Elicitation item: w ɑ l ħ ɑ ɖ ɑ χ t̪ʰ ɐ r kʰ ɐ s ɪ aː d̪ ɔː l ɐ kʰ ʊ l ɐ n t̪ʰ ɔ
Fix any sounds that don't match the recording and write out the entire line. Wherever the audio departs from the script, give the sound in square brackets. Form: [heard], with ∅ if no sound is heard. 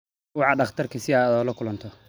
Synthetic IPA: w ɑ [∅] ħ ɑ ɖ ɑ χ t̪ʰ ɐ r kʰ ɐ s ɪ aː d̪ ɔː l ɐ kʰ ʊ l ɐ n t̪ʰ ɔ